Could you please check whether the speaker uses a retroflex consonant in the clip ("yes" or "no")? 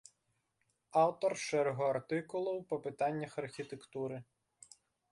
no